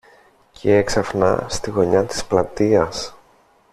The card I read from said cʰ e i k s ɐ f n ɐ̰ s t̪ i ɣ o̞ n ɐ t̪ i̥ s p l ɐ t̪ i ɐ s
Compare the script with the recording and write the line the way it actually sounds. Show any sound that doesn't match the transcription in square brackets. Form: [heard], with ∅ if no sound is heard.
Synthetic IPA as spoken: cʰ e [e] k s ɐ f n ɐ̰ s t̪ i ɣ o̞ [ɲ] ɐ t̪ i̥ s p l ɐ t̪ i ɐ s